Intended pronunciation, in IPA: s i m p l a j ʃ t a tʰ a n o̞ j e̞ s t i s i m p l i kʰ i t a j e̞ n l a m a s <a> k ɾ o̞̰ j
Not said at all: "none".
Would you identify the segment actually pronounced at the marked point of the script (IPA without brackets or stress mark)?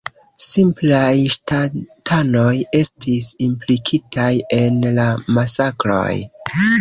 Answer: a